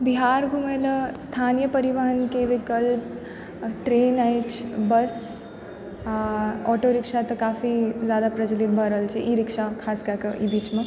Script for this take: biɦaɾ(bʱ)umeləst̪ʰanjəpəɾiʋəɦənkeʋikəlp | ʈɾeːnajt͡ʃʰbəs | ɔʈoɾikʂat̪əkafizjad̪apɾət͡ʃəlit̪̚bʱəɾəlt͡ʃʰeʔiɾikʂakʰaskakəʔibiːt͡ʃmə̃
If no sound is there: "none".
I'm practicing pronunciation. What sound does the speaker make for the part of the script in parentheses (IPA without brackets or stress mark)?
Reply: ɡʱ